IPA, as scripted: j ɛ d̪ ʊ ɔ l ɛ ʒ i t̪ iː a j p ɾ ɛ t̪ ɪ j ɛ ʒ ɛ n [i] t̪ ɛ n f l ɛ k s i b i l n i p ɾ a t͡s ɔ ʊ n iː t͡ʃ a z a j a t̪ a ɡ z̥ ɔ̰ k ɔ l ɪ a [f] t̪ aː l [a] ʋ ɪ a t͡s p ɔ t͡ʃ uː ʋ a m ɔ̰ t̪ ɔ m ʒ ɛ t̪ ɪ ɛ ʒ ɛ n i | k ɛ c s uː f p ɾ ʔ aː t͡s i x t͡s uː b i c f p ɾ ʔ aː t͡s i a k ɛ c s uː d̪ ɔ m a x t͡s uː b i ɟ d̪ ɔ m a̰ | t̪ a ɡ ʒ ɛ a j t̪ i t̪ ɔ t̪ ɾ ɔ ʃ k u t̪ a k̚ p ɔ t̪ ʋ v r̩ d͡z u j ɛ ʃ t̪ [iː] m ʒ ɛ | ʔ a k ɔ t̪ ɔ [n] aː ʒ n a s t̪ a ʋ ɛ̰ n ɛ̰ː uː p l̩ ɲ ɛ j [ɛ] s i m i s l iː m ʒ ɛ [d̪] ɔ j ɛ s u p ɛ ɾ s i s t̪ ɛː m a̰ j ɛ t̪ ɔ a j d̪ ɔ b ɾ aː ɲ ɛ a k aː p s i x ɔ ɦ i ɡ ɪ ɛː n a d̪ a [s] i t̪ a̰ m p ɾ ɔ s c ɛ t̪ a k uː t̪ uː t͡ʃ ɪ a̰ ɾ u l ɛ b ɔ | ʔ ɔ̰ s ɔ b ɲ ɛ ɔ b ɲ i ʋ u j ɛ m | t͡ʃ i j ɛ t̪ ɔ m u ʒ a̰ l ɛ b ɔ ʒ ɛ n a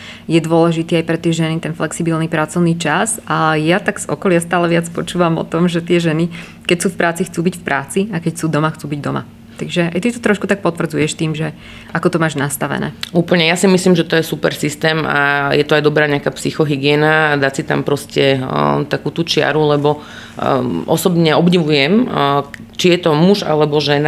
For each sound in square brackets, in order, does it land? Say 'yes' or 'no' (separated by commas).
yes, no, no, yes, no, no, no, yes